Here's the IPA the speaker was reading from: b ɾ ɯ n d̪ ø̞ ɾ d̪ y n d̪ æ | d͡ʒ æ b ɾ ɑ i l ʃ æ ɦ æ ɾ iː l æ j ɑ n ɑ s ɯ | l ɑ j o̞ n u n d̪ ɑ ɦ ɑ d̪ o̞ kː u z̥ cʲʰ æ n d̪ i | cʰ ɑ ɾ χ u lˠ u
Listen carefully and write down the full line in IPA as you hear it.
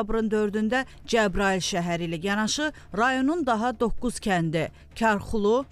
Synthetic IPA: b ɾ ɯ n d̪ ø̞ ɾ d̪ y n d̪ æ | d͡ʒ æ b ɾ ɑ i l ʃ æ ɦ æ ɾ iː l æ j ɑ n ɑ ʃ ɯ | ɾ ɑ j o̞ n u n d̪ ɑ ɦ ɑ d̪ o̞ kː u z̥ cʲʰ æ n d̪ i | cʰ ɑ ɾ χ u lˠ u